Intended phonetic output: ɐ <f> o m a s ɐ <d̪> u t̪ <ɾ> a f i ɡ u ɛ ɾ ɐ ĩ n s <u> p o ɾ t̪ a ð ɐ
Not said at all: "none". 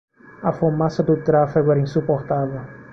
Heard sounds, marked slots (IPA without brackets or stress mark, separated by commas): f, d̪, ɾ, u